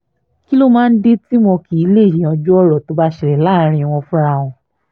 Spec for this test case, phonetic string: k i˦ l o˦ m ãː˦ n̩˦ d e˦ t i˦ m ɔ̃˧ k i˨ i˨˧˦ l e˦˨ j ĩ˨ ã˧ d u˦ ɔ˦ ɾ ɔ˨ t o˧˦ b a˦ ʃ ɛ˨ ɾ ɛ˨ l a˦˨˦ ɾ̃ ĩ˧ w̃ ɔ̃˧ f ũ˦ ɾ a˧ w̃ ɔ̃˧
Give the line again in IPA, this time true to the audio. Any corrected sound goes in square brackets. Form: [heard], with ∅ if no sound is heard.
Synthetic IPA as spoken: k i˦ l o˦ m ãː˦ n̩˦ d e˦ t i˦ m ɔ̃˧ k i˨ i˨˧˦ l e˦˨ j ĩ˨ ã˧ [d͡ʒ] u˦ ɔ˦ ɾ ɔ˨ t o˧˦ b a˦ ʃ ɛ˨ ɾ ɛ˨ l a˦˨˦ ɾ̃ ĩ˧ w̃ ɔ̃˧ f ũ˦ ɾ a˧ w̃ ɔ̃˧